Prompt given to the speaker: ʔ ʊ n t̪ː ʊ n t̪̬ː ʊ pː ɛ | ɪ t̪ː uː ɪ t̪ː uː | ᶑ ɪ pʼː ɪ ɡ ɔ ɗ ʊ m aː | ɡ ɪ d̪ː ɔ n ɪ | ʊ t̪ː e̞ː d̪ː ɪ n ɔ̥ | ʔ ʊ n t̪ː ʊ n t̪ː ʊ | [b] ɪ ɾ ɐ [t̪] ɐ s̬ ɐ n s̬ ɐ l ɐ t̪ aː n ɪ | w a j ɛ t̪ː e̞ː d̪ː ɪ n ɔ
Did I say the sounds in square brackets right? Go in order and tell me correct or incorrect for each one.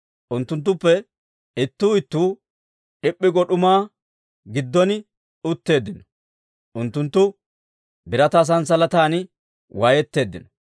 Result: correct, correct

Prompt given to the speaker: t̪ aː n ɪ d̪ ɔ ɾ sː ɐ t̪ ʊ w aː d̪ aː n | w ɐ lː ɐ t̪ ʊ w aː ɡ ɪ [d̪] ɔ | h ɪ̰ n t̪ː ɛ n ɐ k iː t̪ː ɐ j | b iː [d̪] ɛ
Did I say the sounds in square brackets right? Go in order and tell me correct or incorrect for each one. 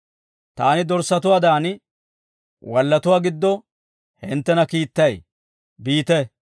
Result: incorrect: d̪ː, incorrect: t̪

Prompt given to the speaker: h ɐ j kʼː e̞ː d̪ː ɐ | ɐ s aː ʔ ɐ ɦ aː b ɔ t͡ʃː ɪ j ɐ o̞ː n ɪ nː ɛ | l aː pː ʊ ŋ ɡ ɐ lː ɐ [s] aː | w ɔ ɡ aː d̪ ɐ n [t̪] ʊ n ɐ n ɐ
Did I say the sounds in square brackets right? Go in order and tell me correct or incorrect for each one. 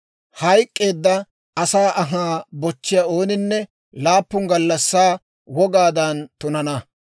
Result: incorrect: sː, correct

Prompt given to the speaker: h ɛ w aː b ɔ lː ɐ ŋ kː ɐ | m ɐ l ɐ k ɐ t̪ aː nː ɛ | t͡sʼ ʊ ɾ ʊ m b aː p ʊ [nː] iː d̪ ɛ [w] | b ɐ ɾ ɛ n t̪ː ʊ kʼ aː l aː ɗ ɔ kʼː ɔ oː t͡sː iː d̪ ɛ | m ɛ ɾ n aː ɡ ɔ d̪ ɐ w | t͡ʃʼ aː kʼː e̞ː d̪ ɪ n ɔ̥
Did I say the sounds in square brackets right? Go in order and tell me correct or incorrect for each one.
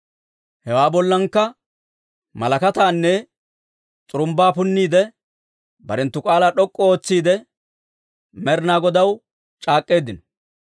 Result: correct, incorrect: none

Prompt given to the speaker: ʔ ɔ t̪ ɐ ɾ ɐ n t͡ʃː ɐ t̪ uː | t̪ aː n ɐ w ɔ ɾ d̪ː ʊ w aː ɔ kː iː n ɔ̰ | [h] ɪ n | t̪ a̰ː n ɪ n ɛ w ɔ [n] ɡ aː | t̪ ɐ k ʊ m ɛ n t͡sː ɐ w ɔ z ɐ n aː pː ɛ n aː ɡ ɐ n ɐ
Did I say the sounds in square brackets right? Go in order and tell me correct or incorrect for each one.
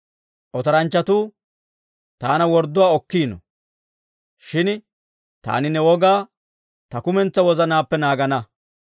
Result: incorrect: ʃ, incorrect: none

